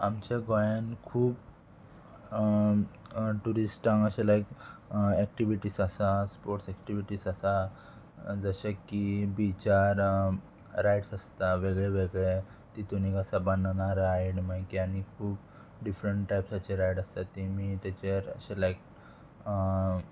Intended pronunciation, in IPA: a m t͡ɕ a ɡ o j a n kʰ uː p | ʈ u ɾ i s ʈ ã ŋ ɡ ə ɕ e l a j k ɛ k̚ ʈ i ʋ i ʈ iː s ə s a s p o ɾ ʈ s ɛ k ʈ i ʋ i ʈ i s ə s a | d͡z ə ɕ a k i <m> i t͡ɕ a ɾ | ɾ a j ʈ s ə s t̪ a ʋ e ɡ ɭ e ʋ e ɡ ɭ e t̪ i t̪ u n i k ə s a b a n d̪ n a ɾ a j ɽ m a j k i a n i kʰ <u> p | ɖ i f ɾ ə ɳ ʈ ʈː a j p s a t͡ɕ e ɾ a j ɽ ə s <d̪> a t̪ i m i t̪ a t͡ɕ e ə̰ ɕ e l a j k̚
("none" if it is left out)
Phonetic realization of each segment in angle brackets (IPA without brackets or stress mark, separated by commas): b, uː, t̪